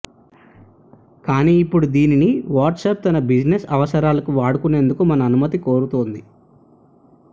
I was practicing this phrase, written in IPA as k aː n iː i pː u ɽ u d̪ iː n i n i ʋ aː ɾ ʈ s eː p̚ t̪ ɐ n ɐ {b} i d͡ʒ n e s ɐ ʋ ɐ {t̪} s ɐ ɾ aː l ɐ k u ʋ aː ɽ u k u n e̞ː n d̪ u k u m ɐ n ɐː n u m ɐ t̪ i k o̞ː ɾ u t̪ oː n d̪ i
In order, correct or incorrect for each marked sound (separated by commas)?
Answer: correct, incorrect